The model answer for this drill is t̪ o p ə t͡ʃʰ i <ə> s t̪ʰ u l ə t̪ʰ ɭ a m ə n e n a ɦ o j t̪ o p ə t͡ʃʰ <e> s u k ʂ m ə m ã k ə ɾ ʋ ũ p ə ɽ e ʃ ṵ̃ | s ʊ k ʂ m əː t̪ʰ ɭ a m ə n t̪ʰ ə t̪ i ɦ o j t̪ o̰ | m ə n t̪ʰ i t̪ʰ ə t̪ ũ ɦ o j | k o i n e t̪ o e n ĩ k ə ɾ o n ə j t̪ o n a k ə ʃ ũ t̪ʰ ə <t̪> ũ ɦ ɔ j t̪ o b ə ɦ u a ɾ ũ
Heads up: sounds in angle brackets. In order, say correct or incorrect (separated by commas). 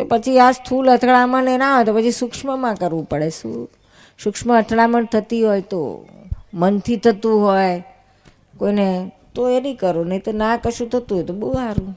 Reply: incorrect, incorrect, correct